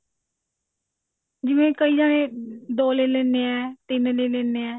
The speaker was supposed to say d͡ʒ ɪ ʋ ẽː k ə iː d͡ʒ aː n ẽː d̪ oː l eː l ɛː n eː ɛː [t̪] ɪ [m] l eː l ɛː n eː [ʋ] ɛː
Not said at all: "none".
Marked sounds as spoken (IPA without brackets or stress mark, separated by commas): t̪, n, none